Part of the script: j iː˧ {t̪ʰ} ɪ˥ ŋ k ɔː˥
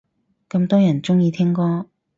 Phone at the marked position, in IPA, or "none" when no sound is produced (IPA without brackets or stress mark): t̪ʰ